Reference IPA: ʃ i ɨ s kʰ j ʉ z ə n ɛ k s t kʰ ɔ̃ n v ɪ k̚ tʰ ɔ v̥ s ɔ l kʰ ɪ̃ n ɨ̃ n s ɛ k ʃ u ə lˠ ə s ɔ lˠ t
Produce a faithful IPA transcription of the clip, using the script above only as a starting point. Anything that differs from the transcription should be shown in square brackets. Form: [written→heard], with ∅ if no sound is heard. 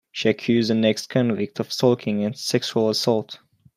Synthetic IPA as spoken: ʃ i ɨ [s→∅] kʰ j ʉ z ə n ɛ k s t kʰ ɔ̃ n v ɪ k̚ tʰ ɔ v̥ s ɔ l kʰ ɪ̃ [n→ŋ] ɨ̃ n s ɛ k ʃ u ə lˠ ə s ɔ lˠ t